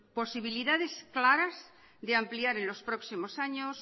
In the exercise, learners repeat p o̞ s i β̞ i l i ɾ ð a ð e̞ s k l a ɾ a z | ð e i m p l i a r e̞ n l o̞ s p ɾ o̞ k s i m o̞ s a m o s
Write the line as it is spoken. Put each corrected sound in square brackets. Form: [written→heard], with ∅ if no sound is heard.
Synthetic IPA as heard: p o̞ s i β̞ i l i [ɾ→∅] ð a ð e̞ s k l a ɾ a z | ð e [i→a] m p l i a [r→ɾ] e̞ n l o̞ s p ɾ o̞ k s i m o̞ s a [m→ɲ] o s